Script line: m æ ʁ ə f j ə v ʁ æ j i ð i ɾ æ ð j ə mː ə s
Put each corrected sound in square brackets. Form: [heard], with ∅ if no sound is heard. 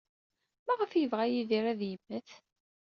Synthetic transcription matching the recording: m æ ʁ ə f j ə v ʁ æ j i ð i ɾ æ ð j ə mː ə [θ]